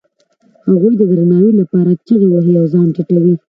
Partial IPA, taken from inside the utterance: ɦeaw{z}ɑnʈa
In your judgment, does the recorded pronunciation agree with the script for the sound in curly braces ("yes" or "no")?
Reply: yes